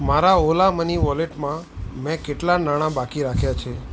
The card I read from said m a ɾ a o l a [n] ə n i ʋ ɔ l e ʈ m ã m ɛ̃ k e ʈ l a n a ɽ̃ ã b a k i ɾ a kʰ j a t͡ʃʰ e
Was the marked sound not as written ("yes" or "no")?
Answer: yes